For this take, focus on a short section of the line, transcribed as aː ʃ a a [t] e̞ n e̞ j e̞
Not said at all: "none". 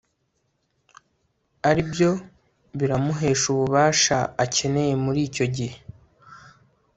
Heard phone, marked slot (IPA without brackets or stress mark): c